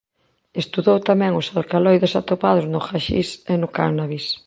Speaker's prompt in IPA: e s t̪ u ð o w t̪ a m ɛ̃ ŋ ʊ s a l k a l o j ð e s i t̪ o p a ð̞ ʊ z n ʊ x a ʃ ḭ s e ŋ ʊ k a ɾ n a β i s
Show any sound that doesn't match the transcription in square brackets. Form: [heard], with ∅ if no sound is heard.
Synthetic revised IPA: e s t̪ u ð o w t̪ a m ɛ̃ ŋ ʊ s a l k a l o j ð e s [a] t̪ o p a ð̞ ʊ z n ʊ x a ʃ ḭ s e [n] ʊ k a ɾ n a β i s